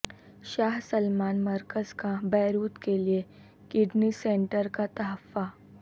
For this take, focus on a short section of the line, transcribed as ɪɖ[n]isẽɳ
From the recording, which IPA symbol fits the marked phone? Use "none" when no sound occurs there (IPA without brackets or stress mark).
n